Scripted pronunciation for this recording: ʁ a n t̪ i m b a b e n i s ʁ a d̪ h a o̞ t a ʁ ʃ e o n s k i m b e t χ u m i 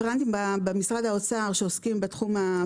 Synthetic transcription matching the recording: ʁ a n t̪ i m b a b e m i s ʁ a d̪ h a o̞ t͡s a ʁ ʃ e o s k i m b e t χ u m a